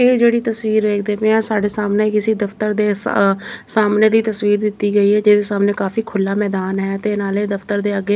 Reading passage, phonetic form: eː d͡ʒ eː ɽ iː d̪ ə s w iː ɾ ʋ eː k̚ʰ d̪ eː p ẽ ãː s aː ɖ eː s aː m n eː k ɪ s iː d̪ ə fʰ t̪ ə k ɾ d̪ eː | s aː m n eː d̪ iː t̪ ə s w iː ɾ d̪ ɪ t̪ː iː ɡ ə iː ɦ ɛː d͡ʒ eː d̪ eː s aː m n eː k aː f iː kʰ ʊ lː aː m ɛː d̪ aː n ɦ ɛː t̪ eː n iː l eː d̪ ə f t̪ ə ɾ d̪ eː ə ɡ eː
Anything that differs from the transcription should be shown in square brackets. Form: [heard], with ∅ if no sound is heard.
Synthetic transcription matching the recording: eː d͡ʒ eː ɽ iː [t̪] ə s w iː ɾ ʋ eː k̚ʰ d̪ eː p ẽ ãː s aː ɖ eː s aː m n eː k ɪ s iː d̪ ə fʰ t̪ ə [∅] ɾ d̪ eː | s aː m n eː d̪ iː t̪ ə s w iː ɾ d̪ ɪ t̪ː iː ɡ ə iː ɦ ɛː d͡ʒ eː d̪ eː s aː m n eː k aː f iː kʰ ʊ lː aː m ɛː d̪ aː n ɦ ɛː t̪ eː n [aː] l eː d̪ ə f t̪ ə ɾ d̪ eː ə ɡ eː